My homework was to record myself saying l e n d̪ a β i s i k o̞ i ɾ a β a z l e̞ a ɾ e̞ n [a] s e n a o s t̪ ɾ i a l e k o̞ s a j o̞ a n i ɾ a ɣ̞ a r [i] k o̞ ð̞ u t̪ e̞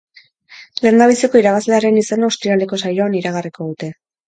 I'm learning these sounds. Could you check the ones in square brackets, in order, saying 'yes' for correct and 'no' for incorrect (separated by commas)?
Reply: no, yes